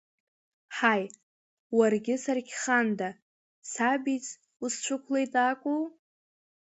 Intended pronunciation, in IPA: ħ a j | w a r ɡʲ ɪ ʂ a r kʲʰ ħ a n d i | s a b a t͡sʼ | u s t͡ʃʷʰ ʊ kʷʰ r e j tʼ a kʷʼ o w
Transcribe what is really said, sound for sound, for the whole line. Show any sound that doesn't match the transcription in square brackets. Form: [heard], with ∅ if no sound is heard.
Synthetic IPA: ħ a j | w a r ɡʲ ɪ [s] a r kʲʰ [χ] a n d [a] | s a b [i] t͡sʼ | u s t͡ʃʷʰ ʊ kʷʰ [l] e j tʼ a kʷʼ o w